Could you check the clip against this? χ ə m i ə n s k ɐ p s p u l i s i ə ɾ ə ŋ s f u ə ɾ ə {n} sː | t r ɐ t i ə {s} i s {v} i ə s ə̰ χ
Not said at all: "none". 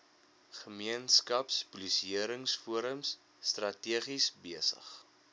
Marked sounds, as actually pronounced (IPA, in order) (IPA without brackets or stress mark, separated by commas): m, χ, b